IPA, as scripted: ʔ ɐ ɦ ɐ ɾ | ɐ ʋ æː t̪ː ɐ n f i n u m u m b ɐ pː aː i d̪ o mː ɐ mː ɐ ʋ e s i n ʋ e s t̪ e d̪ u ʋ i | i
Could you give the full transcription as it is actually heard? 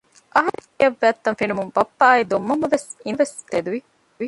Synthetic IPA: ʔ ɐ ɦ ɐ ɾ | ɐ ʋː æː t̪ː ɐ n f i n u m u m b ɐ pː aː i d̪ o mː ɐ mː ɐ ʋ e s i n ʋ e s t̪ e d̪ u ʋ i | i